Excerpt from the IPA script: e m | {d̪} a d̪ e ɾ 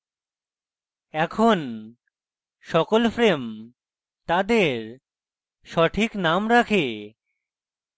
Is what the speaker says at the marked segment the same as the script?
no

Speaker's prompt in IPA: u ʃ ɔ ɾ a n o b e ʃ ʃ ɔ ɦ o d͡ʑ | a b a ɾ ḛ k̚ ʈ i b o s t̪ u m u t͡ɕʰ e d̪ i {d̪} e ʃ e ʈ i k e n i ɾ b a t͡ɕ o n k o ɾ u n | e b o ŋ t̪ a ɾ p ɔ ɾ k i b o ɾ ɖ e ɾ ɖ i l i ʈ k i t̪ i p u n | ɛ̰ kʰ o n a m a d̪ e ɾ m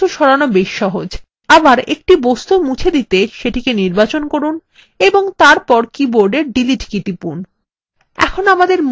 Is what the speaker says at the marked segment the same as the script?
no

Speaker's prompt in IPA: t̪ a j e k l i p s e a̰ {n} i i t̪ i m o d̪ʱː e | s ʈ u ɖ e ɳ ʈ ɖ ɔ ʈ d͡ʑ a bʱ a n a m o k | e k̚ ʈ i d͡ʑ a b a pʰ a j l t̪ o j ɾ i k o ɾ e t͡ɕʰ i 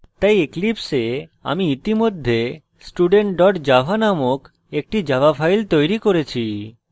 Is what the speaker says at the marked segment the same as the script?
no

